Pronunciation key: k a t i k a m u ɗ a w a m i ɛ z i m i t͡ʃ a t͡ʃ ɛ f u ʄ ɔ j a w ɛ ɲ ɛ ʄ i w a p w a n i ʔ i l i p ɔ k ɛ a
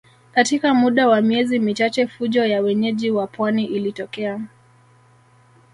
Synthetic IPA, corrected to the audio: k a t i k a m u ɗ a w a m i ɛ z i m i t͡ʃ a t͡ʃ ɛ f u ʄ ɔ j a w ɛ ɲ ɛ ʄ i w a p w a n i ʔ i l i t ɔ k ɛ a